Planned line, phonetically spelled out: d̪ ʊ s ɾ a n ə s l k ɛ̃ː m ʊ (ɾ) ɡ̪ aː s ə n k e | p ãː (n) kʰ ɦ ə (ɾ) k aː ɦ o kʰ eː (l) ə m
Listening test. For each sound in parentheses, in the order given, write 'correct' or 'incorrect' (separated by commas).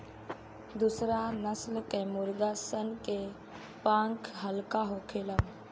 correct, incorrect, incorrect, correct